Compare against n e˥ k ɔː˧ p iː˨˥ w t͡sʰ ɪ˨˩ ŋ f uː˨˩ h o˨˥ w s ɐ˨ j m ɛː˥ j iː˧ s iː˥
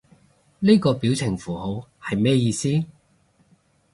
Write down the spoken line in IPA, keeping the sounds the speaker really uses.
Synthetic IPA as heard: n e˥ k ɔː˧ p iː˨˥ w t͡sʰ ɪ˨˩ ŋ f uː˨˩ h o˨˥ w h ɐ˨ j m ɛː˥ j iː˧ s iː˥